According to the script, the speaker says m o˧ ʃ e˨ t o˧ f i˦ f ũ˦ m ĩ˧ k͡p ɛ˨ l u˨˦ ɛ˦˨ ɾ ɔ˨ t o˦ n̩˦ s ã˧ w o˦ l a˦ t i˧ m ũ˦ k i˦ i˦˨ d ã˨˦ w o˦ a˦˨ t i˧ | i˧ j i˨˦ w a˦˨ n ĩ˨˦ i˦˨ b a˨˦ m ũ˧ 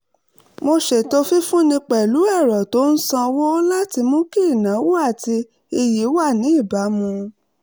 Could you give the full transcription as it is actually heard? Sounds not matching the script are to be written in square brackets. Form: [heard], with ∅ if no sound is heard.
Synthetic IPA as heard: m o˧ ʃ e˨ t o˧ f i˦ f ũ˦ [n] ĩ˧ k͡p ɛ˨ l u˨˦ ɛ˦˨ ɾ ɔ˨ t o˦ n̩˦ s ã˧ w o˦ l a˦ t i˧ m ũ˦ k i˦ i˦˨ [n] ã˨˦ w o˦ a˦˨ t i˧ | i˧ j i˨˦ w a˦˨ n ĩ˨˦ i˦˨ b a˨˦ m ũ˧